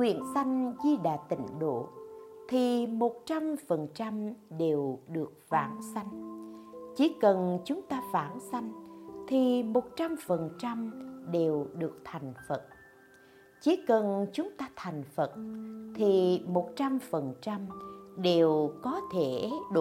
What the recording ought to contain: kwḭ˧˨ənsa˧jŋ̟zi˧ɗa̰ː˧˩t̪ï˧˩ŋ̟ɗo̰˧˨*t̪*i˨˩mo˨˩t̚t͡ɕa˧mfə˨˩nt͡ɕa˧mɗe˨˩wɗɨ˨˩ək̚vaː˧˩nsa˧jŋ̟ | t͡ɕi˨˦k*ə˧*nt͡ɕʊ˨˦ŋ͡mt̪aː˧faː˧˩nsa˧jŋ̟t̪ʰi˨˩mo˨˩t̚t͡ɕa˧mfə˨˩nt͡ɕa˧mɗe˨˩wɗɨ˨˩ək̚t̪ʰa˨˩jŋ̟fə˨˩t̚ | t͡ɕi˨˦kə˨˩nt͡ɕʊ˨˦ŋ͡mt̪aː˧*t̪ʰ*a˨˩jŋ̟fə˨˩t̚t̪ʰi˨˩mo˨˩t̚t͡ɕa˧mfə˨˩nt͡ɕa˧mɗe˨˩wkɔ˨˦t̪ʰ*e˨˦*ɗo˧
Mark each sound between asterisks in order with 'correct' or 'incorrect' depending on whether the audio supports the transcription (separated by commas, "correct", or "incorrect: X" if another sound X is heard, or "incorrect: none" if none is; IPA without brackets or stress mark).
incorrect: t̪ʰ, incorrect: ə˨˩, correct, incorrect: e˧˩